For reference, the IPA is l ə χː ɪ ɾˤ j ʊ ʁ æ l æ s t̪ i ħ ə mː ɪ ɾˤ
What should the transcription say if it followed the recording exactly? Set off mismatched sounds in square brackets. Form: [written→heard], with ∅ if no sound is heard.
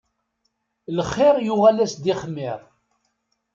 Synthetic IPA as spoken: l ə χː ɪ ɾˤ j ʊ ʁ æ l æ s [t̪→d̪] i [ħ→χ] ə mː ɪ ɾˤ